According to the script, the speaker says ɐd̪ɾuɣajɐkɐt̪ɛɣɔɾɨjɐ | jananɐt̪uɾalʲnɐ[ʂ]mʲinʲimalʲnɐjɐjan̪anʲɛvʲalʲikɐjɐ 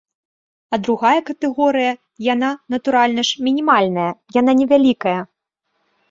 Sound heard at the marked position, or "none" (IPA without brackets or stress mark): ʂ